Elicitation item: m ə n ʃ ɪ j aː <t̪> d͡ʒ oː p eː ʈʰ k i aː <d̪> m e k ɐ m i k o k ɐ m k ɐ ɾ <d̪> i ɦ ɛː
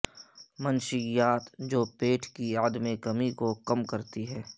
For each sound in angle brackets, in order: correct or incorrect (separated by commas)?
correct, correct, incorrect